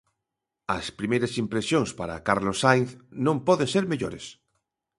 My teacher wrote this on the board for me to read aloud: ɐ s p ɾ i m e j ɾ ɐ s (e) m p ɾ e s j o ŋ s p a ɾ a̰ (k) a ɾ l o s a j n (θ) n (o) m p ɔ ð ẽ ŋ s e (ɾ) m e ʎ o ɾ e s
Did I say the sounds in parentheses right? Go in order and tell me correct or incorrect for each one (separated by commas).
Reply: incorrect, correct, correct, incorrect, correct